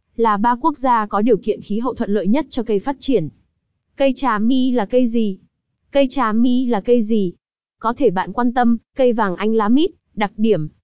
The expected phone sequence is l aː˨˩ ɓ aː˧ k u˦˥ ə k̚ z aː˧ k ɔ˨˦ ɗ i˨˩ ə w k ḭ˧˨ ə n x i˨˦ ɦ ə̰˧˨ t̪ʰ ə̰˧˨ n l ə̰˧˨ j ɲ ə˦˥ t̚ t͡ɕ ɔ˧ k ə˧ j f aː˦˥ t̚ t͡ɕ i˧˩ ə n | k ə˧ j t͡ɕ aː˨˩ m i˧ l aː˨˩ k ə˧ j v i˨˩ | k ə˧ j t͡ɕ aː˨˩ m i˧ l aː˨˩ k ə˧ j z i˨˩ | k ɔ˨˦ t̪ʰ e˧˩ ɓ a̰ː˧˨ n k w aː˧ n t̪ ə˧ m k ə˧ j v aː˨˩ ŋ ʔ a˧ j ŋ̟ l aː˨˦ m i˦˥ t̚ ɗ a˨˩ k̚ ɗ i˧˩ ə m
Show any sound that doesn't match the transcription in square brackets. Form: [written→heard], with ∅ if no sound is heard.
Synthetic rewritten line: l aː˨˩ ɓ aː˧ k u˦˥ ə k̚ z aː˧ k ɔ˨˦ ɗ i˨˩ ə w k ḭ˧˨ ə n x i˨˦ ɦ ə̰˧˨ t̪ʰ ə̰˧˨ n l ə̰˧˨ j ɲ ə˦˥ t̚ t͡ɕ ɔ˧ k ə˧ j f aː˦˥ t̚ t͡ɕ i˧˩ ə n | k ə˧ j t͡ɕ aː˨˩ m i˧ l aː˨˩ k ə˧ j [v→z] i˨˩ | k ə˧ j t͡ɕ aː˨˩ m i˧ l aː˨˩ k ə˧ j z i˨˩ | k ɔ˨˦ t̪ʰ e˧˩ ɓ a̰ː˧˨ n k w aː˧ n t̪ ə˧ m k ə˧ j v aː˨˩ ŋ ʔ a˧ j ŋ̟ l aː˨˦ m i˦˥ t̚ ɗ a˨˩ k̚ ɗ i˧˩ ə m